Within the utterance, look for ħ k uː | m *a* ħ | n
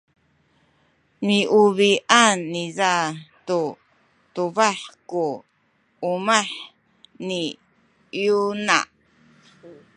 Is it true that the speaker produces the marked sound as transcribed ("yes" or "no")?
yes